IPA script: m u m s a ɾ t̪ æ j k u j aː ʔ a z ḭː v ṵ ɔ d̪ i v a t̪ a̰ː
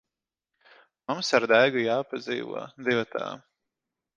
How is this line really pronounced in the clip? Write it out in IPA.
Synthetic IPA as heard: m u m s a ɾ d̪ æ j ɡ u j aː p a z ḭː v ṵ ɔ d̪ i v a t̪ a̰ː